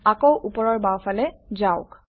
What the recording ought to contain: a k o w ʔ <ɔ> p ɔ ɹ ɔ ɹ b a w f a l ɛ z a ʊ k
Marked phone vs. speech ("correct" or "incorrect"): incorrect